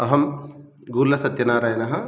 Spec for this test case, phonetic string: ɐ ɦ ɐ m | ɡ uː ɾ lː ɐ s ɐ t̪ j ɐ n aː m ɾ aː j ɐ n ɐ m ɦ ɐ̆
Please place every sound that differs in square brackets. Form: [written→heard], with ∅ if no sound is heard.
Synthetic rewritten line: ɐ ɦ ɐ m | ɡ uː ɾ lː ɐ s ɐ t̪ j ɐ n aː [m→∅] ɾ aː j ɐ n ɐ [m→∅] ɦ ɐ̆